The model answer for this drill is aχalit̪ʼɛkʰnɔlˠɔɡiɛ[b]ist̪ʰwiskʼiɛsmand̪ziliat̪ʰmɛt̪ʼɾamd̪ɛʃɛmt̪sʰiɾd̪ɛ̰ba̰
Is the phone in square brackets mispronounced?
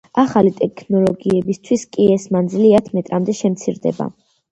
no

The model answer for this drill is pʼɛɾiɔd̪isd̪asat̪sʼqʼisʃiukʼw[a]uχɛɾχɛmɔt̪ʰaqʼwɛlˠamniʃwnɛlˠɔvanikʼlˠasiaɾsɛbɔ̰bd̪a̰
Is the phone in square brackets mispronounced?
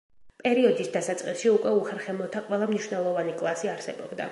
yes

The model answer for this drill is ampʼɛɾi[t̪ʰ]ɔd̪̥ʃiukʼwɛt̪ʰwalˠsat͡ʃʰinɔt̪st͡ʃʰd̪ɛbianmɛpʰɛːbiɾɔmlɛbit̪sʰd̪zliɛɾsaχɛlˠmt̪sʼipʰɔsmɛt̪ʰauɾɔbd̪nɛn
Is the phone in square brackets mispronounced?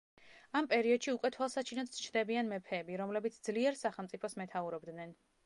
yes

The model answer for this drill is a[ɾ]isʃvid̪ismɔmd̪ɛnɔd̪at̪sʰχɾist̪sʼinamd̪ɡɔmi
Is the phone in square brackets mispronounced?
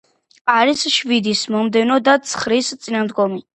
no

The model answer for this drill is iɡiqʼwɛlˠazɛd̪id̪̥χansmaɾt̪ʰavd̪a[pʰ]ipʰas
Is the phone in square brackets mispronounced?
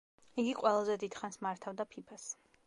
no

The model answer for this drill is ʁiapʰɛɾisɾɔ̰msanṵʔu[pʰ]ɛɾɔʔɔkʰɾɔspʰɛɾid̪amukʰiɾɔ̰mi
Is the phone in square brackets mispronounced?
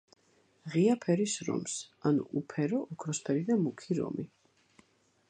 no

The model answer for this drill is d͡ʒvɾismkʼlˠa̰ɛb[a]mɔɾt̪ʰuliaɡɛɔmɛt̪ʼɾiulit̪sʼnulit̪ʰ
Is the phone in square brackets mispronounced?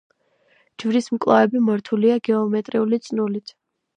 yes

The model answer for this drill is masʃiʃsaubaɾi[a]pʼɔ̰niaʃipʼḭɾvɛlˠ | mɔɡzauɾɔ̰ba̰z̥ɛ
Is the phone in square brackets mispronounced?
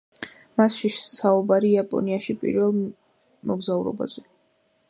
no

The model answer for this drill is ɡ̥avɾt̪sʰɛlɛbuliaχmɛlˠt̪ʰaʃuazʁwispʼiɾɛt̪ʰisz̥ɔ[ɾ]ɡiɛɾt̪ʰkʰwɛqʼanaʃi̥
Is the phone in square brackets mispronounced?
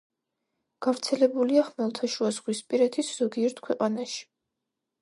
yes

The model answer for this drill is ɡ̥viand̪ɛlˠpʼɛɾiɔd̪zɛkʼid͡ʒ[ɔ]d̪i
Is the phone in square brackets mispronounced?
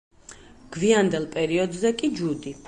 yes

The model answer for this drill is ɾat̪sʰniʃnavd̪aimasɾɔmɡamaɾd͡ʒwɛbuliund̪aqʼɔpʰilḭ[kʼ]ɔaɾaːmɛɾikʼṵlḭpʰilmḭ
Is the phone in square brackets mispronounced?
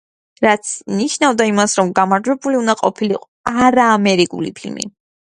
yes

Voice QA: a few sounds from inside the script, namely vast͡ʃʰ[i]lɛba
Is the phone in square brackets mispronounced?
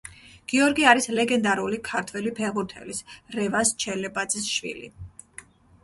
yes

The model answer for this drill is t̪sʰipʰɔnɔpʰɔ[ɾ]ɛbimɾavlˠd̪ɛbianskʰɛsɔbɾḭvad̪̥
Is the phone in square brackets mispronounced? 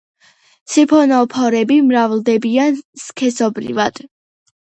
no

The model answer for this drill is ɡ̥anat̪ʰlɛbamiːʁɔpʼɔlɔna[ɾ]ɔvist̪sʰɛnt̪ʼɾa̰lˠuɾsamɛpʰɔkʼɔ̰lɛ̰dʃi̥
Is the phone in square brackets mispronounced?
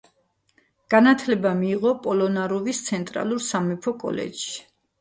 no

